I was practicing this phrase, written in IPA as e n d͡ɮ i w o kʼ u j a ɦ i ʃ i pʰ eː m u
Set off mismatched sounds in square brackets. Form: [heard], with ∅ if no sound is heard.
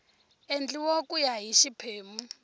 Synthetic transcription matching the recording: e n d͡ɮ i w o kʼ u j a ɦ i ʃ i pʰ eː m u